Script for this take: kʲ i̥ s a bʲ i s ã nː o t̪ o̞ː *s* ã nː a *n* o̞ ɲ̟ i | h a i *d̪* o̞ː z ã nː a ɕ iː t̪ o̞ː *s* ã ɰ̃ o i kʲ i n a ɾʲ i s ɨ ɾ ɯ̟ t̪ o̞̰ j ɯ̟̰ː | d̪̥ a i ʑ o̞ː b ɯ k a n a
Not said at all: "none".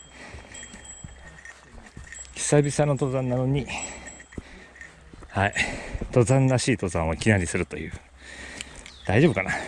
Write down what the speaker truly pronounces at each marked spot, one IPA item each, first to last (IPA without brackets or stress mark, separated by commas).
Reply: z, n, t̪, z